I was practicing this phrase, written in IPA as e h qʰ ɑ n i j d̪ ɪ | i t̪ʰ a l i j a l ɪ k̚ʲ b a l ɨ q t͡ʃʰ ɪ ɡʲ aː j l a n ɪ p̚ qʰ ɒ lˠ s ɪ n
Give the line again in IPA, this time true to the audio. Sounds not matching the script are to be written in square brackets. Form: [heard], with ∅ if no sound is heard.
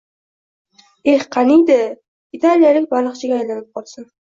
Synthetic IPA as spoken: e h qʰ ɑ n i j d̪ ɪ | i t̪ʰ a l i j a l ɪ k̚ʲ b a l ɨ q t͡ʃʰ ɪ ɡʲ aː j l a n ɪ p̚ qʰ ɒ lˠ s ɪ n